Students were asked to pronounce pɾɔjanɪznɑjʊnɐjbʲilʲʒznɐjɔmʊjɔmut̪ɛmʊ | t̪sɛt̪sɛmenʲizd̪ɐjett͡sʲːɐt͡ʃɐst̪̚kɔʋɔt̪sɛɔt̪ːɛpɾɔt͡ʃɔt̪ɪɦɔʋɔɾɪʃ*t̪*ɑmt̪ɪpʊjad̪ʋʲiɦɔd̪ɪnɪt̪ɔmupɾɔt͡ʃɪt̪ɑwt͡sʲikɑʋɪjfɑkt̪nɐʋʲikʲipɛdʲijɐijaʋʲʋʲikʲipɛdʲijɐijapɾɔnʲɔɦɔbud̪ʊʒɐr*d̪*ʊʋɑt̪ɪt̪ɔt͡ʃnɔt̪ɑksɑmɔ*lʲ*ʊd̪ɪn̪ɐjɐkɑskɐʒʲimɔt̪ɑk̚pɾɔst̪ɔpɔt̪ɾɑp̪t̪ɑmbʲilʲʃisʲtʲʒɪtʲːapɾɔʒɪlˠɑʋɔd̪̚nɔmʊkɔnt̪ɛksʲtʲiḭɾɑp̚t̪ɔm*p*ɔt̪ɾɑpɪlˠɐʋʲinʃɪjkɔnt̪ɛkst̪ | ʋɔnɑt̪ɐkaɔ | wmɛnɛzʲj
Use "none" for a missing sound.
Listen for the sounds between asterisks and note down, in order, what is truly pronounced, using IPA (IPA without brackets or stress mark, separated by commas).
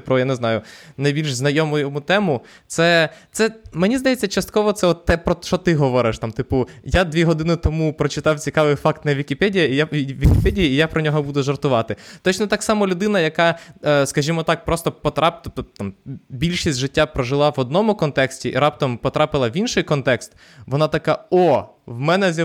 t̪, t̪, lʲ, p